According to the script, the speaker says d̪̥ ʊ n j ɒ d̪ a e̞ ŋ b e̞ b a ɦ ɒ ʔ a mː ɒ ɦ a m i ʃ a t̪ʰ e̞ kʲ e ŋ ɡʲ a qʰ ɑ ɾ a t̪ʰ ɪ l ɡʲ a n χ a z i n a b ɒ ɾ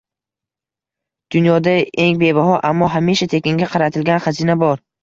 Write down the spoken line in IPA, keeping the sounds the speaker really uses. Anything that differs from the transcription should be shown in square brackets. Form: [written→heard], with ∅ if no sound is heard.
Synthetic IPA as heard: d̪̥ ʊ n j ɒ d̪ a e̞ ŋ b e̞ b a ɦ ɒ ʔ a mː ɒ ɦ a m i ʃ a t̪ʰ e̞ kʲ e ŋ ɡʲ a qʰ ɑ ɾ a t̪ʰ ɪ l ɡʲ a n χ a z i n a b ɒ ɾ